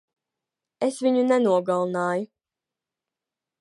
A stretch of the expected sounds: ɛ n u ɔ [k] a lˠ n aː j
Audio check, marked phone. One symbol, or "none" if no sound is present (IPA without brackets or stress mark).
ɡ